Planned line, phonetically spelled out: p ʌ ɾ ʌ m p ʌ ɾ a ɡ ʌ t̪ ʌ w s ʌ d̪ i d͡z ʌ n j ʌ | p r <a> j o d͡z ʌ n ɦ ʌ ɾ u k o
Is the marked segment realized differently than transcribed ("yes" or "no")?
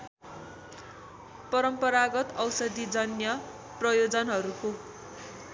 yes